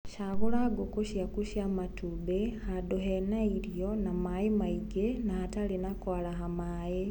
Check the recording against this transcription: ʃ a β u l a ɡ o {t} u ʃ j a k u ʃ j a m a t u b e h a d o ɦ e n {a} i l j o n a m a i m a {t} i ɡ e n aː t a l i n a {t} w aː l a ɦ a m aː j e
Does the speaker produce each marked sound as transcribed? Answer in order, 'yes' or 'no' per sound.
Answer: no, yes, no, no

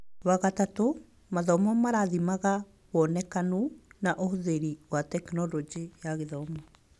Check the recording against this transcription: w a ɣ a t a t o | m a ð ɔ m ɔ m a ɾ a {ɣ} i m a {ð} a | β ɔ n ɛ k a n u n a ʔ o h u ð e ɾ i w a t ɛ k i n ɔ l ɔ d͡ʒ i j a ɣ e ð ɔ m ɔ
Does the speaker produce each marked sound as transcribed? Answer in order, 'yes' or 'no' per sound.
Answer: no, no

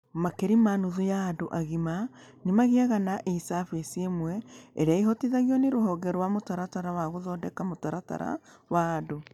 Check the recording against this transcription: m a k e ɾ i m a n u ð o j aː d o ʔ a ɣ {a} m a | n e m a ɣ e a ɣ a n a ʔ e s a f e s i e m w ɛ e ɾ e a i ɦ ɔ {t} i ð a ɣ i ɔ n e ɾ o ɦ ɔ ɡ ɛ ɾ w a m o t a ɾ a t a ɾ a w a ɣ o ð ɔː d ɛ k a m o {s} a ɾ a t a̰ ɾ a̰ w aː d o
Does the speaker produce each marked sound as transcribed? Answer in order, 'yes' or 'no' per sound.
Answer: no, yes, no

